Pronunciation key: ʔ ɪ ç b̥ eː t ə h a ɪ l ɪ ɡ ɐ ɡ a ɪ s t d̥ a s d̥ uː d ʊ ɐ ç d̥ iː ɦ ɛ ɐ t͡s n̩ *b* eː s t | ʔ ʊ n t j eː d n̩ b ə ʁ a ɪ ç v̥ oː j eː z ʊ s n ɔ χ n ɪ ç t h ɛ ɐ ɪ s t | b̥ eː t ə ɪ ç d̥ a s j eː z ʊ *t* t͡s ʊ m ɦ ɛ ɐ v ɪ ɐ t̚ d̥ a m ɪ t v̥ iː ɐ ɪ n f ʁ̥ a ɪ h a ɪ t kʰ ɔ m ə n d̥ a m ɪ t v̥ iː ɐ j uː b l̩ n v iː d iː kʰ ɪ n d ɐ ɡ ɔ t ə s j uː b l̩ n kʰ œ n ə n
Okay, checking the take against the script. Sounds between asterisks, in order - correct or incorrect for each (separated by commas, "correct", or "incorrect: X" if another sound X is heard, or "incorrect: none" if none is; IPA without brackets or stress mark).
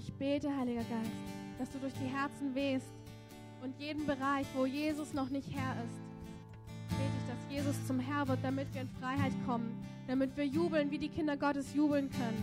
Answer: incorrect: v, incorrect: s